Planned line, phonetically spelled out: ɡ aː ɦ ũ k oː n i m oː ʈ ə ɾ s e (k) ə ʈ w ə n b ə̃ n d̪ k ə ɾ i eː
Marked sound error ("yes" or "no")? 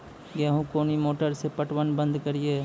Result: yes